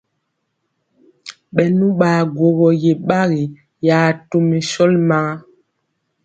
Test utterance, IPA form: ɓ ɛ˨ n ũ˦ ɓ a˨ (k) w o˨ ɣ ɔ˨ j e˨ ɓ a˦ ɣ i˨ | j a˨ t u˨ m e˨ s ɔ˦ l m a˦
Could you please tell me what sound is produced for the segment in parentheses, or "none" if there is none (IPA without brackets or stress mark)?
ɡ